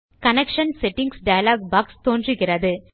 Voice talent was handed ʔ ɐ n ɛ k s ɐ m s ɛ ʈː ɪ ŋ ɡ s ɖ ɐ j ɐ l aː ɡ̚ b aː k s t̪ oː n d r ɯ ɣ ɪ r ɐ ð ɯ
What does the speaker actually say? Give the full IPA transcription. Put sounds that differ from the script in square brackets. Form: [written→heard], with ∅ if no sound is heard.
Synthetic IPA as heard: [ʔ→k] ɐ n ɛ k [s→ʂ] ɐ [m→n] s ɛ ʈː ɪ ŋ ɡ s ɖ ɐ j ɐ l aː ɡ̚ b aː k s t̪ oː n d r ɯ ɣ ɪ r ɐ ð ɯ